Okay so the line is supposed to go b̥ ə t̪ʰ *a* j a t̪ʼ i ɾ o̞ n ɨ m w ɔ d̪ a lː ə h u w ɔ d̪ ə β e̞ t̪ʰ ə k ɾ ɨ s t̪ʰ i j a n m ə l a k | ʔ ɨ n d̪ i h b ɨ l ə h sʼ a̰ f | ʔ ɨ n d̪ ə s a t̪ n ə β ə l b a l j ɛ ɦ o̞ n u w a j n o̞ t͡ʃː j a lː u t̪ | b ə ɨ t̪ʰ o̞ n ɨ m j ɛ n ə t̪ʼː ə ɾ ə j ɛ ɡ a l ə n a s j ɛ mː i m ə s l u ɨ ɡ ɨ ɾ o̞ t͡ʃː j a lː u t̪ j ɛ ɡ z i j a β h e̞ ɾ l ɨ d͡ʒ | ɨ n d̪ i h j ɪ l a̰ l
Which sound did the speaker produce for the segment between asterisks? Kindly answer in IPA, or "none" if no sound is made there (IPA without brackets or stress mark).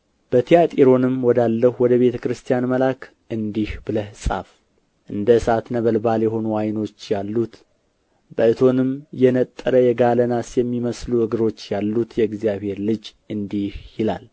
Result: i